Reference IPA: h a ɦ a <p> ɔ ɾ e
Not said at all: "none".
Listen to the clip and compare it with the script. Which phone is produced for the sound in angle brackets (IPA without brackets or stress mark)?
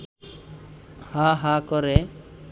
k